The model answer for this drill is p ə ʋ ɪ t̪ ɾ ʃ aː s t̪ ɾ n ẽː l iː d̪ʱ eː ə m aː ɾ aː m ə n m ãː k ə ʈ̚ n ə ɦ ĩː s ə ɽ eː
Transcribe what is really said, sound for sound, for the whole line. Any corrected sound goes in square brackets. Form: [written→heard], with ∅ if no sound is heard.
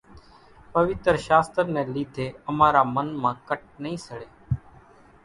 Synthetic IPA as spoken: p ə ʋ ɪ t̪ ɾ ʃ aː s t̪ ɾ n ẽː l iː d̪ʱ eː ə m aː ɾ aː m ə n m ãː k ə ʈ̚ n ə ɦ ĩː s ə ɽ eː